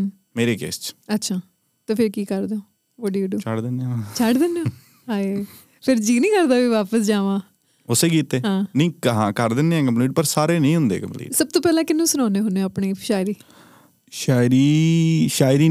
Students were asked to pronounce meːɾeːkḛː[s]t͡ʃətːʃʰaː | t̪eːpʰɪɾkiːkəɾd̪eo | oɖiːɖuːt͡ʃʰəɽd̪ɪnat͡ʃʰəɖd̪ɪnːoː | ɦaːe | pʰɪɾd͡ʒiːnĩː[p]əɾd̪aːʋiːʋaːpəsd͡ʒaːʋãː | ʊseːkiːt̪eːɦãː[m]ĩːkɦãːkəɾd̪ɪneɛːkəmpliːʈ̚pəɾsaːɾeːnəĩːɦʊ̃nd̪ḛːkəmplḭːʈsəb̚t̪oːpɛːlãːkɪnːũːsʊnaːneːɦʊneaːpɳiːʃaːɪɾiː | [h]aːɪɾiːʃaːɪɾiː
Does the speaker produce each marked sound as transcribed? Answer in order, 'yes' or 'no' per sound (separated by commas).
yes, no, no, no